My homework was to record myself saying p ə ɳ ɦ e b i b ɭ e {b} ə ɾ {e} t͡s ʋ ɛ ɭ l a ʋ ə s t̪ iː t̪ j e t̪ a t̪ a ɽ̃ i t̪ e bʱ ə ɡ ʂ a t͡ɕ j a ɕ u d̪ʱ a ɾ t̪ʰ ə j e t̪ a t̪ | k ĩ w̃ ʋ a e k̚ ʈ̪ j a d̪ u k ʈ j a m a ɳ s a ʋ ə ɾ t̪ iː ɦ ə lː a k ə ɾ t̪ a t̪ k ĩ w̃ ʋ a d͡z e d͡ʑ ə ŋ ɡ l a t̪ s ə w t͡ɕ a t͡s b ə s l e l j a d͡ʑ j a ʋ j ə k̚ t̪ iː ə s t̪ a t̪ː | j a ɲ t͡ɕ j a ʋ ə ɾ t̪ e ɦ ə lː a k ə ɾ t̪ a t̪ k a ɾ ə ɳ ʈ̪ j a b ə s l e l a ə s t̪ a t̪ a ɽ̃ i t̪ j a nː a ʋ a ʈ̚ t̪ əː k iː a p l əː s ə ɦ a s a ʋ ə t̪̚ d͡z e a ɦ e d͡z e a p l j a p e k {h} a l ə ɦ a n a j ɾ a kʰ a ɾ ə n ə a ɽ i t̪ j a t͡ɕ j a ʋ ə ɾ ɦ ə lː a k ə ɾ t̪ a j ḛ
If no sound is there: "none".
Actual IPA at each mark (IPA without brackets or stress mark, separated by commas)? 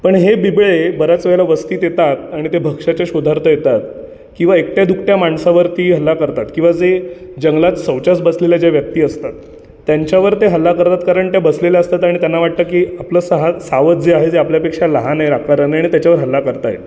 b, a, ʂ